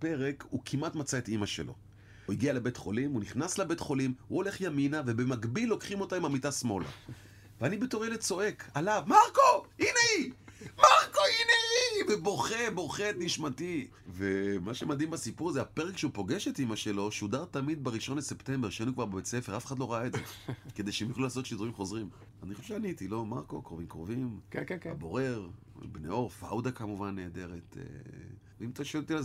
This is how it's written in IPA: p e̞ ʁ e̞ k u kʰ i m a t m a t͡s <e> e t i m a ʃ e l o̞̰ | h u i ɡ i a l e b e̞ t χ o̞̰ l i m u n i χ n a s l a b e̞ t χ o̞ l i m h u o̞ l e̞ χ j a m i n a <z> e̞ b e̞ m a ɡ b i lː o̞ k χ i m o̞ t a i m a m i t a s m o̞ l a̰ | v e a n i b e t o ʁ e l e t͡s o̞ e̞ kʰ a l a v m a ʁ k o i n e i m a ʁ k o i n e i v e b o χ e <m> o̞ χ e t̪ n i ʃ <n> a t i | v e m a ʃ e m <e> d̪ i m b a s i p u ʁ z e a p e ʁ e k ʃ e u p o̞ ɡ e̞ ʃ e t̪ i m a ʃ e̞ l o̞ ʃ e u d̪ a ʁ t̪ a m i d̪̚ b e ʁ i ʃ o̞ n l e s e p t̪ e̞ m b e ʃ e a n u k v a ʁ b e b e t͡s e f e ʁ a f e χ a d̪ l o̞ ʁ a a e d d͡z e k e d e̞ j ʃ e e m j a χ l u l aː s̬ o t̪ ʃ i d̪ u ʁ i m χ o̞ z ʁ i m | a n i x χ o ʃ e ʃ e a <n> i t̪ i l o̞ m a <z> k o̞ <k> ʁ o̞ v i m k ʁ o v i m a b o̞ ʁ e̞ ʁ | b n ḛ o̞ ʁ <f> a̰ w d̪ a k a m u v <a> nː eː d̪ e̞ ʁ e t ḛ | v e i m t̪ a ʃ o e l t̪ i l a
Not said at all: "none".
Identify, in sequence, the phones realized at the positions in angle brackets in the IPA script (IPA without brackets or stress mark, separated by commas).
a, v, b, m, a, n, ʁ, k, f, a